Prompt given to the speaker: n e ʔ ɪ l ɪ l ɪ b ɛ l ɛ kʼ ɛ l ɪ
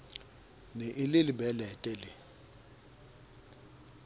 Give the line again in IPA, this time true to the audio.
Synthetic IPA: n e ʔ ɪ l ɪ l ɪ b ɛ l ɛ tʼ ɛ l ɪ